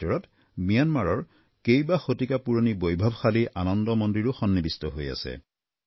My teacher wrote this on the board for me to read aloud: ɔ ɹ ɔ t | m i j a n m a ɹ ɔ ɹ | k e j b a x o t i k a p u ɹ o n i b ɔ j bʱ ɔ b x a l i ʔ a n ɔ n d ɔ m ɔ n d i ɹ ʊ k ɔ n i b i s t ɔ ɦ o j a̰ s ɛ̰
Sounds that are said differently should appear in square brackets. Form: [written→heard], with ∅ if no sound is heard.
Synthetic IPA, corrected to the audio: ɔ ɹ ɔ t | m i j a n m a ɹ ɔ ɹ | k e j b a x o t i k a p u ɹ o n i b [ɔ→o] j bʱ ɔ b x a l i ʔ a n ɔ n d ɔ m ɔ n d i ɹ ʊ [k→x] ɔ [n→nː] i b i s t ɔ ɦ o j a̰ s ɛ̰